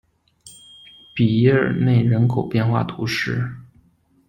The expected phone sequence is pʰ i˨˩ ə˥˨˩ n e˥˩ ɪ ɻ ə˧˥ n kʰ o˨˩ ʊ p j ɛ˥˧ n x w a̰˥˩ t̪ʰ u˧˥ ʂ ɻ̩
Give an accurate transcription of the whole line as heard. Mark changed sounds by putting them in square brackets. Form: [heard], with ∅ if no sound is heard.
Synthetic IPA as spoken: [p] i˨˩ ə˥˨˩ n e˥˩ ɪ ɻ ə˧˥ n kʰ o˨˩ ʊ p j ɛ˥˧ n x w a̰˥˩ t̪ʰ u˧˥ ʂ ɻ̩